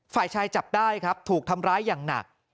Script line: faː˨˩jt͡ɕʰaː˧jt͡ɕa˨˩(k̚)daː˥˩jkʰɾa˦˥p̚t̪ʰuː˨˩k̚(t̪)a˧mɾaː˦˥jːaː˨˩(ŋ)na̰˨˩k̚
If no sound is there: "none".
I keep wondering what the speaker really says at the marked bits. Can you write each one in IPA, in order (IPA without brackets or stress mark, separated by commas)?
p̚, t̪ʰ, ŋ